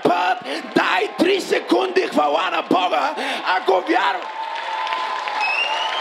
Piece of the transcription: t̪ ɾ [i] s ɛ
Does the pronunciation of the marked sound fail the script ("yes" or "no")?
no